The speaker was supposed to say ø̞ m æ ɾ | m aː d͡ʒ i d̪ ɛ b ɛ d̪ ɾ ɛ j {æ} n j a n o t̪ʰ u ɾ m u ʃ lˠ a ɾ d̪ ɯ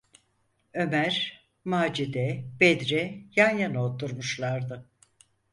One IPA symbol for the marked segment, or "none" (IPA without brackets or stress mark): a